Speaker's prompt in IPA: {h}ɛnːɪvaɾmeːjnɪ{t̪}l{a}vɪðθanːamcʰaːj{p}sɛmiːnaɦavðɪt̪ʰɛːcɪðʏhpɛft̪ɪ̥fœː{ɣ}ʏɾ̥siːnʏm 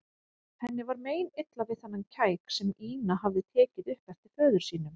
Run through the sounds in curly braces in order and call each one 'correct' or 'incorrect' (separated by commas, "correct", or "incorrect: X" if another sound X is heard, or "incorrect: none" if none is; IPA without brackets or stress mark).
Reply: incorrect: θ, correct, correct, incorrect: k, incorrect: ð